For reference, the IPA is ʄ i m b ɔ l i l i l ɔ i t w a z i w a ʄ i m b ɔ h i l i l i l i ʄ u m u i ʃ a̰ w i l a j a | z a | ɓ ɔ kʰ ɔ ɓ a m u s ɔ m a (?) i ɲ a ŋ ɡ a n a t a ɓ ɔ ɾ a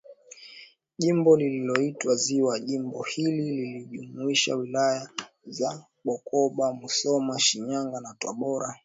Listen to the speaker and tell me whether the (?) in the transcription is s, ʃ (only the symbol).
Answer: ʃ